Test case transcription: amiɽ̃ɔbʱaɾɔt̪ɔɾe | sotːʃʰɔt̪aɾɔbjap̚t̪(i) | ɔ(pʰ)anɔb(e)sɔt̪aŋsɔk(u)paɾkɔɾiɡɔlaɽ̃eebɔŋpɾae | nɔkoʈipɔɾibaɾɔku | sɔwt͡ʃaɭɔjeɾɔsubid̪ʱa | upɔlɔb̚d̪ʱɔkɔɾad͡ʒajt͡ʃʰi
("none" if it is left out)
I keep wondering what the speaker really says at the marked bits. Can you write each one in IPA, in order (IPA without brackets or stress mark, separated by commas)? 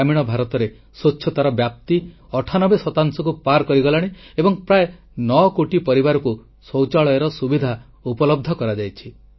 i, ʈʰ, e, u